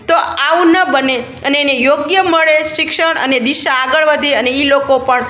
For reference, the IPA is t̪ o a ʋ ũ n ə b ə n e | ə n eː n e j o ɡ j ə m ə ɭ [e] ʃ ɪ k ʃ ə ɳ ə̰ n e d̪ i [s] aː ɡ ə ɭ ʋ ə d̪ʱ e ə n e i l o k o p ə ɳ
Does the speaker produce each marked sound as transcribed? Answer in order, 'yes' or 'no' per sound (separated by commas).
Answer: yes, no